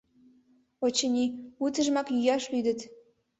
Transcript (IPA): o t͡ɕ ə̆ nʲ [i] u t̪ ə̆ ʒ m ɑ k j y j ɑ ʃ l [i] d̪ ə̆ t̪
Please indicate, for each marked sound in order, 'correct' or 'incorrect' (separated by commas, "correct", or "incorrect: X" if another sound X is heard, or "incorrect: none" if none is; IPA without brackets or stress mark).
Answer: correct, incorrect: y